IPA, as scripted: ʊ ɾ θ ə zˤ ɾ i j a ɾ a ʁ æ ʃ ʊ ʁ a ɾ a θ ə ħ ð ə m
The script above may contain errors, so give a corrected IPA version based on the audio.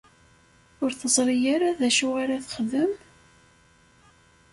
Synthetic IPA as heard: ʊ ɾ θ ə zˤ ɾ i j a ɾ a ð æ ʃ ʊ ʁ a ɾ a θ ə χ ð ə m

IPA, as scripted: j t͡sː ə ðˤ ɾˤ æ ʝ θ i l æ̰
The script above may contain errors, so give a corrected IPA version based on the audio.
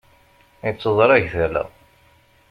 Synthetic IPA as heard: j t͡sː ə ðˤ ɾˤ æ ʝ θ æ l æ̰

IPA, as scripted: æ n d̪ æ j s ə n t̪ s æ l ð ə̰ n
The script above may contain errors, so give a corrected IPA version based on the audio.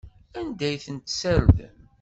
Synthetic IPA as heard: æ n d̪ æ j θ ə n t̪ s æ ɾ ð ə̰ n

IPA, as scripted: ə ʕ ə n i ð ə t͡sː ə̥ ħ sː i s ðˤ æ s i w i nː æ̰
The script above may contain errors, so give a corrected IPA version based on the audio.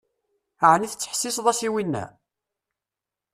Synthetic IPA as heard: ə ʕ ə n i θ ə t͡sː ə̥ ħ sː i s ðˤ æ s i w i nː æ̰

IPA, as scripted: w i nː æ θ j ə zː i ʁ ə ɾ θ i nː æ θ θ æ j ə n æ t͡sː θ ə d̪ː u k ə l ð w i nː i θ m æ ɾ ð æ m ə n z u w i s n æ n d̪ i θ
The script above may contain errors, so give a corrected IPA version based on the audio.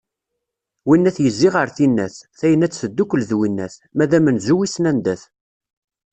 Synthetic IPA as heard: w i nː æ θ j ə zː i ʁ ə ɾ θ i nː æ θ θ æ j ə n æ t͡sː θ ə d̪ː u k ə l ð w i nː æ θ m æ ð æ m ə n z u w i s n æ n d̪ æ θ

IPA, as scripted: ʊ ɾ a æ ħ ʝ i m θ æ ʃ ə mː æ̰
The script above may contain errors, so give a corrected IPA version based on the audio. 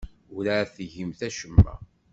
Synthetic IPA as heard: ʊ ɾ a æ θ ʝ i m θ æ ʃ ə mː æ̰

